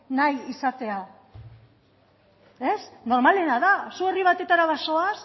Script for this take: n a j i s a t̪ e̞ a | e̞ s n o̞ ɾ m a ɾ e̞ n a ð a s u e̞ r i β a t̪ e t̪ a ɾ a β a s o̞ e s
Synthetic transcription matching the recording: n a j i s a t̪ e̞ a | e̞ s n o̞ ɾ m a l e̞ n a ð a s u e̞ r i β a t̪ e t̪ a ɾ a β a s o̞ a s